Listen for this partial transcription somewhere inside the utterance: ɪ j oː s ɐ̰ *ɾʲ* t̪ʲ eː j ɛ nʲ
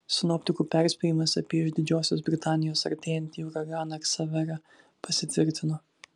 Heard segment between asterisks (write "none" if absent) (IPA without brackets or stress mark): ɾʲ